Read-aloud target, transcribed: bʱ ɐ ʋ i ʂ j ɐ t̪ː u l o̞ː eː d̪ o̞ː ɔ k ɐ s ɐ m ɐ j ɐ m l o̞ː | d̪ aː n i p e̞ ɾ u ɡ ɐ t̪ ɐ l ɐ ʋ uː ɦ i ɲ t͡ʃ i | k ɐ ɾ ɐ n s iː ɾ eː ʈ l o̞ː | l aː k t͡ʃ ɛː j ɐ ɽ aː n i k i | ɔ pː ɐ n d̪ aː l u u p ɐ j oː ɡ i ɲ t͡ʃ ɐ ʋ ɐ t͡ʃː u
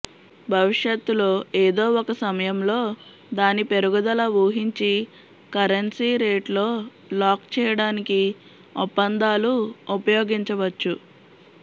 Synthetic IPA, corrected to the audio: bʱ ɐ ʋ i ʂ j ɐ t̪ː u l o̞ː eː d̪ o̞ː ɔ k ɐ s ɐ m ɐ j ɐ m l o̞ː | d̪ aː n i p e̞ ɾ u ɡ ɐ d̪ ɐ l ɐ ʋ uː ɦ i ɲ t͡ʃ i | k ɐ ɾ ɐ n s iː ɾ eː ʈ l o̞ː | l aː k t͡ʃ ɛː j ɐ ɽ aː n i k i | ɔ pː ɐ n d̪ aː l u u p ɐ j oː ɡ i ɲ t͡ʃ ɐ ʋ ɐ t͡ʃː u